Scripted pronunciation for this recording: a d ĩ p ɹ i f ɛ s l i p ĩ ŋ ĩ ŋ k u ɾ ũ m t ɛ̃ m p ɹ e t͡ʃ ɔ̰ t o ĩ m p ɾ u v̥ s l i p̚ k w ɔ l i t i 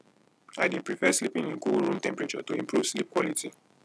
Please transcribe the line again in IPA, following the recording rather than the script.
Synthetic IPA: a d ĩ p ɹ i f ɛ s l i p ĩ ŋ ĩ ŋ k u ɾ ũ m t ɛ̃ m p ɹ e t͡ʃ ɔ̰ t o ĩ m p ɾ u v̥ s l i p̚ k w ɔ l i t i